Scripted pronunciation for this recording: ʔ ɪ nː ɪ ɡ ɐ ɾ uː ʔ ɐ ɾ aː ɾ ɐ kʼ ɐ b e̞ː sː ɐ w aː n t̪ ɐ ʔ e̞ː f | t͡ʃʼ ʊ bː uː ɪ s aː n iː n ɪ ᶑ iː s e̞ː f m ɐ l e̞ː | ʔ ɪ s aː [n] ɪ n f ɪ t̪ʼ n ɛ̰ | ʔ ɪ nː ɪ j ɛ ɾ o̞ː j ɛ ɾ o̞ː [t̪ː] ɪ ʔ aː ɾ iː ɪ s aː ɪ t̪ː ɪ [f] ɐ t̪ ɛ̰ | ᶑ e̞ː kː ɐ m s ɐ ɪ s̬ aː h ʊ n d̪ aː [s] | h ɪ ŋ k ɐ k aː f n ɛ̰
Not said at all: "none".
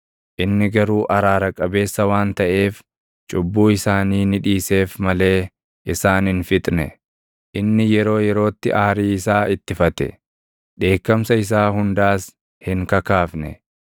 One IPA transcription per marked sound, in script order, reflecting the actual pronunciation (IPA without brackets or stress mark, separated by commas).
n, t̪ː, f, s